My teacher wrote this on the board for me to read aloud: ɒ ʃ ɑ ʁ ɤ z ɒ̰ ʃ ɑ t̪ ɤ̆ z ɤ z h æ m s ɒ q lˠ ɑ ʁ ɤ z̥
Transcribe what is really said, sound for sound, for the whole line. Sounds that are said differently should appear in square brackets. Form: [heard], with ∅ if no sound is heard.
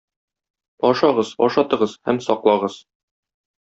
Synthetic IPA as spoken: ɒ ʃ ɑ ʁ ɤ z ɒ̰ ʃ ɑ t̪ ɤ̆ [ʁ] ɤ z h æ m s ɒ q lˠ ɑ ʁ ɤ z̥